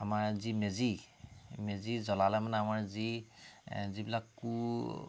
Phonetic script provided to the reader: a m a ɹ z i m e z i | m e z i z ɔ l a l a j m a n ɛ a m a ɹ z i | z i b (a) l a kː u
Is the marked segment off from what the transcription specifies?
yes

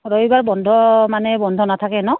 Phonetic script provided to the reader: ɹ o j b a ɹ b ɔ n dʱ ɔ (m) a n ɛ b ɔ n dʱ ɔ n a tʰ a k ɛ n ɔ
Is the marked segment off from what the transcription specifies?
no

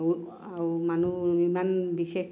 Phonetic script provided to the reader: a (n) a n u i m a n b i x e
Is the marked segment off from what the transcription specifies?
yes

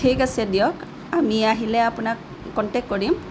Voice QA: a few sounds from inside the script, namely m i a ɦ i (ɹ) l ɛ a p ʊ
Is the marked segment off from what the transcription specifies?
yes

